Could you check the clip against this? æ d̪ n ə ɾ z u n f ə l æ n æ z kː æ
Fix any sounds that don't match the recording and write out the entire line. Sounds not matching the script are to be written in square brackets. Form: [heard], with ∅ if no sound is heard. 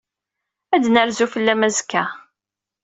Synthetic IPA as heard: æ d̪ n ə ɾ z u [∅] f ə [lː] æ [m] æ z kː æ